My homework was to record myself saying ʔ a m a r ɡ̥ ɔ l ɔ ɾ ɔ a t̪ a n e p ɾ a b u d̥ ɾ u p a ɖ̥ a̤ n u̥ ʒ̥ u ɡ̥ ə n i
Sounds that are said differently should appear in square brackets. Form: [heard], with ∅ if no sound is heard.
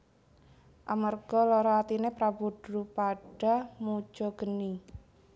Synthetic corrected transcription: ʔ a m a r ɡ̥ ɔ l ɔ ɾ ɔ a t̪ [i] n e p ɾ a b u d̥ ɾ u p a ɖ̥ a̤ [m] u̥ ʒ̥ [ɔ] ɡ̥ ə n i